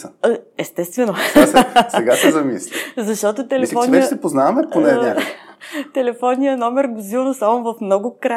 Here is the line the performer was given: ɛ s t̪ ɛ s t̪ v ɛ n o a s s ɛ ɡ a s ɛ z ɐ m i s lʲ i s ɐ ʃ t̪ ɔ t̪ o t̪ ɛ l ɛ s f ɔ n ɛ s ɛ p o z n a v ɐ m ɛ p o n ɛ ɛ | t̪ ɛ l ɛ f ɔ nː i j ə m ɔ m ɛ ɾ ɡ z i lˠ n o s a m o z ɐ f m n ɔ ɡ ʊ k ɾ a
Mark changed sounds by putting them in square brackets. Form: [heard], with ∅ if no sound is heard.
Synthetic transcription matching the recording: ɛ s t̪ ɛ s t̪ v ɛ n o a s s ɛ ɡ a s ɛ z ɐ m i s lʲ i [z] ɐ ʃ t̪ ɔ t̪ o t̪ ɛ l ɛ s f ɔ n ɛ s ɛ p o z n a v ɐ m ɛ p o n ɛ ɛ | t̪ ɛ l ɛ f ɔ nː i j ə [n] ɔ m ɛ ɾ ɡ z i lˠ n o s a m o [v] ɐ f m n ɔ ɡ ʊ k ɾ a